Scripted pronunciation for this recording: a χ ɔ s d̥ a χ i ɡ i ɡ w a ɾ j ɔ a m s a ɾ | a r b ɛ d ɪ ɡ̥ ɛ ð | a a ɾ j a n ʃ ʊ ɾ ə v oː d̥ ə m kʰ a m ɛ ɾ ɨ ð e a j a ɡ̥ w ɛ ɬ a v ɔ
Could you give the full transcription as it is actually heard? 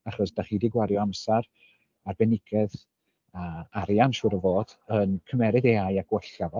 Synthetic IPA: a χ ɔ s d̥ a χ i d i ɡ w a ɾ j ɔ a m s a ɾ | a r b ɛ n ɪ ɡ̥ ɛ ð | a a ɾ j a n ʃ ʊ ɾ ə v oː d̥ ə n kʰ ə m ɛ ɾ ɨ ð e a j a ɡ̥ w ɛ ɬ a v ɔ